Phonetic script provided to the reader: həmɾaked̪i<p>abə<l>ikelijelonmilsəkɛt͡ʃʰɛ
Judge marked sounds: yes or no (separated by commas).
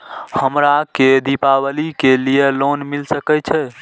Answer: yes, yes